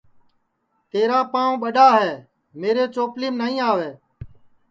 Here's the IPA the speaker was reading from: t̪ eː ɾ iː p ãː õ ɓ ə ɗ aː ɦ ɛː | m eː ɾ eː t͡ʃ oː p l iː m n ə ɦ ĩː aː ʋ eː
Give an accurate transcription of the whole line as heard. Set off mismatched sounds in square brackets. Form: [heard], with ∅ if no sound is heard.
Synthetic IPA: t̪ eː ɾ [aː] p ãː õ ɓ ə ɗ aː ɦ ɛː | m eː ɾ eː t͡ʃ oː p l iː m n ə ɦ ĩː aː ʋ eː